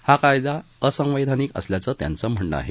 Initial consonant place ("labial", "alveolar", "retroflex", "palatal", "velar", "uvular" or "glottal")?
glottal